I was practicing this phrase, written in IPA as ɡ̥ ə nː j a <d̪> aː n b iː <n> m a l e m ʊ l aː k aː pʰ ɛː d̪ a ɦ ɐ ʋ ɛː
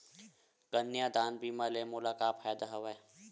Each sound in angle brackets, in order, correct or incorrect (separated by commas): correct, incorrect